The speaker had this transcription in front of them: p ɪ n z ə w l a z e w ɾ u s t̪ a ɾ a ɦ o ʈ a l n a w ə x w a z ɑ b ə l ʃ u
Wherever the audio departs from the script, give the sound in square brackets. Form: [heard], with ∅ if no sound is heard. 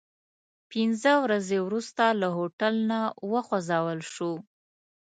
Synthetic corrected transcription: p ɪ n z ə w [ɾ] a z e w ɾ u s t̪ a [l] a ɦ o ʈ a l n a w ə x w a z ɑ [w] ə l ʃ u